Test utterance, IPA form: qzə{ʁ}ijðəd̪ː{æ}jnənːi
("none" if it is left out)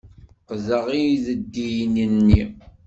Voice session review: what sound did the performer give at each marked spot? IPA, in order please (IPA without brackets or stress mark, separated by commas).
ʁ, i